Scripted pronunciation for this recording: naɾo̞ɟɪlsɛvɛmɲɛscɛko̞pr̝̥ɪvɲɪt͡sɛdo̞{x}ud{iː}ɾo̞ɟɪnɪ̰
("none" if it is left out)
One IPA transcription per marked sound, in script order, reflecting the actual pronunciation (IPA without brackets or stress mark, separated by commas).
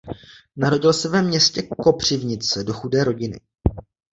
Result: x, ɛː